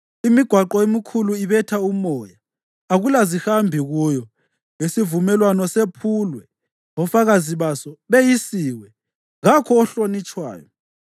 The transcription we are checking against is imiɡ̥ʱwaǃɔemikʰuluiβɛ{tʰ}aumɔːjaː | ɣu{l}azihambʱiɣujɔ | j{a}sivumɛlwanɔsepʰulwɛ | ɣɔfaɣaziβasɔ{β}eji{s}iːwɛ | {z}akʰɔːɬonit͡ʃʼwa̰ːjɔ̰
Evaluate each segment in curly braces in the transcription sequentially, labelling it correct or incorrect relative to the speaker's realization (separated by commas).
correct, correct, incorrect, correct, correct, incorrect